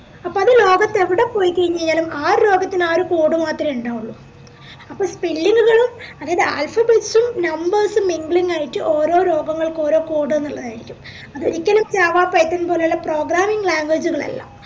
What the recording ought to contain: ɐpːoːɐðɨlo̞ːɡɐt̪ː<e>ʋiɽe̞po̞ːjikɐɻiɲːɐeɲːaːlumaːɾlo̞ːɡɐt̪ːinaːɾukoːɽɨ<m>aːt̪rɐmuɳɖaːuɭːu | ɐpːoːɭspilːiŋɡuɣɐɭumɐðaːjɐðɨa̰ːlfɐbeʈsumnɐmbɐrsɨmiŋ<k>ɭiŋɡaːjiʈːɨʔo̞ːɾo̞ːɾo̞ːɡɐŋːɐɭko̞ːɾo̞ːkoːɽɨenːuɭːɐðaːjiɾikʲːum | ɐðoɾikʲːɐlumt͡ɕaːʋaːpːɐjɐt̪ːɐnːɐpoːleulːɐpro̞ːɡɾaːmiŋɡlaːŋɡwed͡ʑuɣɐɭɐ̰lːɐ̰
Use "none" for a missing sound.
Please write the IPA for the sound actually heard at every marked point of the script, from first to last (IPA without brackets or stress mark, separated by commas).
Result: e, m, ɡ